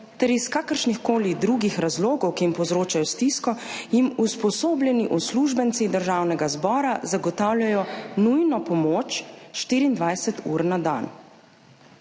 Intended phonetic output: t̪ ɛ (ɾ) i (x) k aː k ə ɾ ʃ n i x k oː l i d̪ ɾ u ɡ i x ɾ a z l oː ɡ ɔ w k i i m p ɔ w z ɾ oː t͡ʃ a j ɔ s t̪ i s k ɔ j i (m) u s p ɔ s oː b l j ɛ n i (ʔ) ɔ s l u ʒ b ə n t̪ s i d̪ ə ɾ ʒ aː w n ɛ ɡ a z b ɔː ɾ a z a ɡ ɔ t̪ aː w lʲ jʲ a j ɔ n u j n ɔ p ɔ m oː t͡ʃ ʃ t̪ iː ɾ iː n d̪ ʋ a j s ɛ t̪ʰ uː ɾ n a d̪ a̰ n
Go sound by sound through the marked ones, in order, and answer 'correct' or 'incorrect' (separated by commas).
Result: correct, incorrect, correct, correct